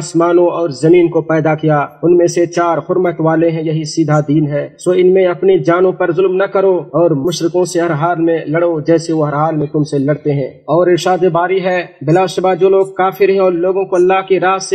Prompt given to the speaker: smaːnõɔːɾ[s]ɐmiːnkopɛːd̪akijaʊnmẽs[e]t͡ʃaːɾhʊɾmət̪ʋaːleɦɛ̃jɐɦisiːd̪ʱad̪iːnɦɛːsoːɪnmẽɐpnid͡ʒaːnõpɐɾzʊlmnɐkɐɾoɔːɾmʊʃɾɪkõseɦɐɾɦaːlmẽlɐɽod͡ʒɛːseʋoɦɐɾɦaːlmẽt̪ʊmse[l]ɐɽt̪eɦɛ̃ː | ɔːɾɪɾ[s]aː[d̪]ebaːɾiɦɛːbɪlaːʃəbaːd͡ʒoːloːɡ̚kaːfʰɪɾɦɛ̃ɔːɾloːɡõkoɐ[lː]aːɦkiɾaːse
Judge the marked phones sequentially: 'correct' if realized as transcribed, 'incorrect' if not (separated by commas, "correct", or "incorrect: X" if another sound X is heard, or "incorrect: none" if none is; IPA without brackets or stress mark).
incorrect: z, correct, correct, incorrect: ʃ, correct, correct